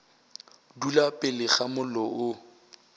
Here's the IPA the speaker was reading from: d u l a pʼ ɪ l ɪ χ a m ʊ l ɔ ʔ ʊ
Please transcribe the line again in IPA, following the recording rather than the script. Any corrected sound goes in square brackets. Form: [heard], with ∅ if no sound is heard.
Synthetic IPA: d u l a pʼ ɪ l ɪ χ a m ʊ l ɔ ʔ ʊ